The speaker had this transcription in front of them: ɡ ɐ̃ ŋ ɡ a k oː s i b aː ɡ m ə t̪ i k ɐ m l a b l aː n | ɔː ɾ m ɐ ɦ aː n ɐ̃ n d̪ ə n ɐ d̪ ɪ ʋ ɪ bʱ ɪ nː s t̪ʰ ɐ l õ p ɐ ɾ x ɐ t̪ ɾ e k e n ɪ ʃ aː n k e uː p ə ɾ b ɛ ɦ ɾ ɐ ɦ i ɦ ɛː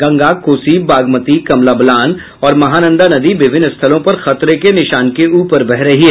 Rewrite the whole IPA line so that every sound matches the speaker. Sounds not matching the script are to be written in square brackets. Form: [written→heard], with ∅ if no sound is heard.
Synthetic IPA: ɡ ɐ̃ ŋ ɡ a k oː s i b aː ɡ m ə t̪ i k ɐ m l a b l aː n | ɔː ɾ m ɐ ɦ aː n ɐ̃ n d̪ [ə→a] n ɐ d̪ [ɪ→i] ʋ ɪ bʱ ɪ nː s t̪ʰ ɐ l õ p ɐ ɾ x ɐ t̪ ɾ e k e n ɪ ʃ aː n k e uː p ə ɾ b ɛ ɦ ɾ ɐ ɦ i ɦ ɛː